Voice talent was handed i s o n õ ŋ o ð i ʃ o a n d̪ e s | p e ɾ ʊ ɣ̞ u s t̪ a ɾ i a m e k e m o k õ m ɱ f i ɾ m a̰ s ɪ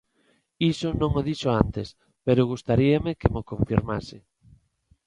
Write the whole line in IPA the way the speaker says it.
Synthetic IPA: i s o n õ ŋ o ð i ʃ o a n t̪ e s | p e ɾ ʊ ɣ̞ u s t̪ a ɾ i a m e k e m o k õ ɱ f i ɾ m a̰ s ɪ